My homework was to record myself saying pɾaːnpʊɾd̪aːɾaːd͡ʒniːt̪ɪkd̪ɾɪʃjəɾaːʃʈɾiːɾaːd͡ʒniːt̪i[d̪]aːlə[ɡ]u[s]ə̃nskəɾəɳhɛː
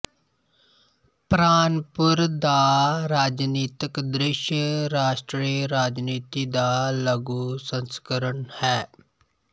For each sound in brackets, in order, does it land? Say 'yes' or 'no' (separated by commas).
yes, yes, yes